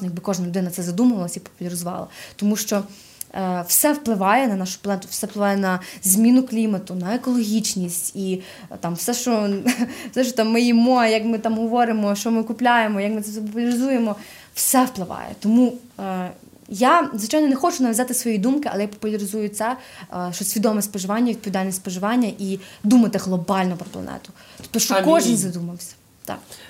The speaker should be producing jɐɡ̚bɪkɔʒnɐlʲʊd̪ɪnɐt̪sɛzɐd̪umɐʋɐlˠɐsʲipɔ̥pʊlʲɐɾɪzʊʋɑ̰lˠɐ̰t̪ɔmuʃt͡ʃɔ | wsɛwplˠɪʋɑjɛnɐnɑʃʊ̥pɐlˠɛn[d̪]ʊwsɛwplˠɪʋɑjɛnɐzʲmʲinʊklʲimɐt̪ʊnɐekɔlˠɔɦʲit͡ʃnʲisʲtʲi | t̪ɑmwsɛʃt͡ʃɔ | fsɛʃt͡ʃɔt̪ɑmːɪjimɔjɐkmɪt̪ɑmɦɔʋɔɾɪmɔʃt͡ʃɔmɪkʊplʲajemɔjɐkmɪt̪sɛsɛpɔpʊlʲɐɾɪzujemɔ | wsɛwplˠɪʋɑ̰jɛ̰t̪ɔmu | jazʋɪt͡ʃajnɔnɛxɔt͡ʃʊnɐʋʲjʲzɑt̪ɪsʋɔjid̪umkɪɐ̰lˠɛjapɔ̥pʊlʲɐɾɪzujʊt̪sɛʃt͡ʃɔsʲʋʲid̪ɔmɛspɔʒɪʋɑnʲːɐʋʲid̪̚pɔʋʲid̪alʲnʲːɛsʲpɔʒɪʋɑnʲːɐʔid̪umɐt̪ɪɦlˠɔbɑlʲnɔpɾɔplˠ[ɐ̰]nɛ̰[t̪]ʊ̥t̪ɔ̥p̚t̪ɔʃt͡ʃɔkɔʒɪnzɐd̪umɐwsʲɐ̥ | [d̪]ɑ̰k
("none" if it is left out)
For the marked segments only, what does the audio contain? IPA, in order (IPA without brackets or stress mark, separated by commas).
t̪, ɐ̰, t̪, t̪